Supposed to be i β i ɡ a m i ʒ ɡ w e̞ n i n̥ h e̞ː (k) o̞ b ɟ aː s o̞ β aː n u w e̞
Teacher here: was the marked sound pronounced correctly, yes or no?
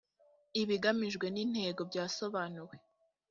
no